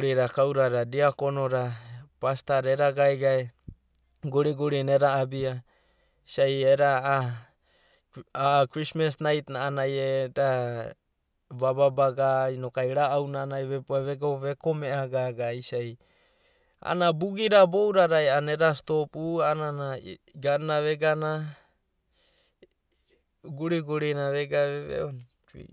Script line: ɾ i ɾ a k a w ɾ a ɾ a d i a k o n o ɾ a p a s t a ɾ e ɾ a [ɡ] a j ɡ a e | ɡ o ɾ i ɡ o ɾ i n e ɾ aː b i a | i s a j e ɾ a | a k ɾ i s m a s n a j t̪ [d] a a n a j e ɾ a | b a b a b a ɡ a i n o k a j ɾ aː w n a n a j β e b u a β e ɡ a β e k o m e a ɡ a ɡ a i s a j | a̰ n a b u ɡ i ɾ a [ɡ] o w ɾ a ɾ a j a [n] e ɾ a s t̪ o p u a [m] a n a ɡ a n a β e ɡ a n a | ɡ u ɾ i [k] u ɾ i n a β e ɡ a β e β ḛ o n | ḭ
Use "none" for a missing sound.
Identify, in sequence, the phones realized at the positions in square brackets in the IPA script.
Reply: ɡ, n, b, n, n, ɡ

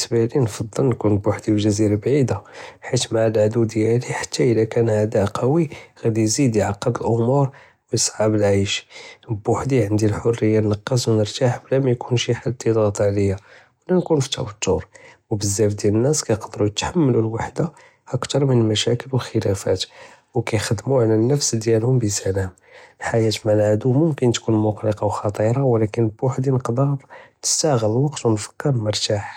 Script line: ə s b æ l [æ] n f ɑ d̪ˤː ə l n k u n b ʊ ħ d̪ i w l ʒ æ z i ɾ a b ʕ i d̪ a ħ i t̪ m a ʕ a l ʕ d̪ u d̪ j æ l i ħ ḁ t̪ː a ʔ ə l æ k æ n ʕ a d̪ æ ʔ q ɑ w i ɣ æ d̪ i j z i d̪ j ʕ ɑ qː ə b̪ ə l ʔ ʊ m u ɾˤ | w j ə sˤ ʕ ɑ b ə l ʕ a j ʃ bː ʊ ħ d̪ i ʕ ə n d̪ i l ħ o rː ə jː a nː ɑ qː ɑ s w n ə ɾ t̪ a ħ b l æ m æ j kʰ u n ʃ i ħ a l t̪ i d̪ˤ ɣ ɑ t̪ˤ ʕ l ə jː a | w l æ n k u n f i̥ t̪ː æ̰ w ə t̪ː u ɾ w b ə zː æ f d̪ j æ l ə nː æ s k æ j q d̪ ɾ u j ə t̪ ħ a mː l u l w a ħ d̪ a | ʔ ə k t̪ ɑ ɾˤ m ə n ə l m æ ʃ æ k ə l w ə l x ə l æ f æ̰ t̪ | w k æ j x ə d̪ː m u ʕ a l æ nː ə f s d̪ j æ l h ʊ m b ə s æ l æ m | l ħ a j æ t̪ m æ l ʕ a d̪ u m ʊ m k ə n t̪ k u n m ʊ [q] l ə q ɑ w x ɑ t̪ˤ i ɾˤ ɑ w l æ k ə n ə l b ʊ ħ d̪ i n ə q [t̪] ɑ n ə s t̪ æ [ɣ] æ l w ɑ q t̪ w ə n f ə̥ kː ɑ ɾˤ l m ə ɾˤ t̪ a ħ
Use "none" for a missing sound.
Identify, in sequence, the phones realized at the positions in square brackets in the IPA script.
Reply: i, q, d̪, ɣ

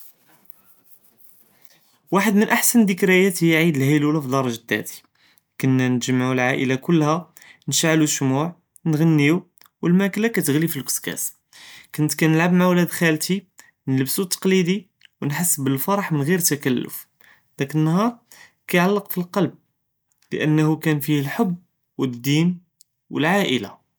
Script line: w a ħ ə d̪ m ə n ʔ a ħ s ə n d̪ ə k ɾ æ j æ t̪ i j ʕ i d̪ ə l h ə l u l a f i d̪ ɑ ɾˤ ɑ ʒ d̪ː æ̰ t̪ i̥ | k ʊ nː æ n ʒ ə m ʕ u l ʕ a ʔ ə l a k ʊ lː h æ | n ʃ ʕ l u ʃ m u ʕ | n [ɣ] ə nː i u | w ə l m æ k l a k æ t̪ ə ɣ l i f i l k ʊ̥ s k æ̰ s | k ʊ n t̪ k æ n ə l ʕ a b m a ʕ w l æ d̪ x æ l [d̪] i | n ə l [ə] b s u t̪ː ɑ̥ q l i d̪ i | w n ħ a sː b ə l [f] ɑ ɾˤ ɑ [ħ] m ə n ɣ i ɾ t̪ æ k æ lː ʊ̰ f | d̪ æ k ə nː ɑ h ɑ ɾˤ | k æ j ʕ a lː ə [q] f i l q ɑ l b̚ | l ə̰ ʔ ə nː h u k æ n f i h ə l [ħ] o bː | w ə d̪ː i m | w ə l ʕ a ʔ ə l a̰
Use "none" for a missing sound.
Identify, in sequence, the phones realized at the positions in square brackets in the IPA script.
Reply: ɣ, t̪, ə, f, ħ, q, ħ

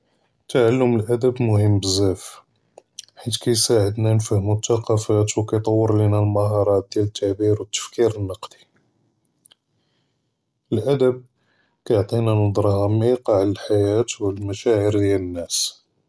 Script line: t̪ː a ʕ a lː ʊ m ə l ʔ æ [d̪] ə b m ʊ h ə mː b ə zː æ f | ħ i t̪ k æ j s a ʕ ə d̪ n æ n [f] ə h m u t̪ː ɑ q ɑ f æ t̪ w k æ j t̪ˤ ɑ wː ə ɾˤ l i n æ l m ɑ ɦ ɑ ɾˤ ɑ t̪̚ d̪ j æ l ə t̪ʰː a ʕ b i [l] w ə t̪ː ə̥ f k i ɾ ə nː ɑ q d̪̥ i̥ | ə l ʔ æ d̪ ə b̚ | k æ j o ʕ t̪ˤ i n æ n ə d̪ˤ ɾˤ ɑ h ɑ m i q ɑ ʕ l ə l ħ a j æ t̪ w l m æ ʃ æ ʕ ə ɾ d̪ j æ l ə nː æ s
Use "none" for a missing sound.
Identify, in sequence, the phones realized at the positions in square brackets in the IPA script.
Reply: d̪, f, ɾ

